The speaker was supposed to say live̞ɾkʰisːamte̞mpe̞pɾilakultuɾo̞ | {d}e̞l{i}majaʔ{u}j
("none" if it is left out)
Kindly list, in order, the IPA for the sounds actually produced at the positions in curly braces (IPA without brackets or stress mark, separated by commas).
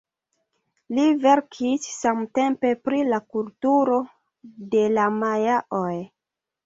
d, a, o